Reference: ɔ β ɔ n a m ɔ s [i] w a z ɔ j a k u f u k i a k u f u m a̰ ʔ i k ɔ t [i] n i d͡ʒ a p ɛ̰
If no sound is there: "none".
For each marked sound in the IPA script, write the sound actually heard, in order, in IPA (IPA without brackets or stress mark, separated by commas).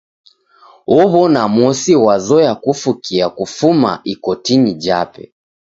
i, i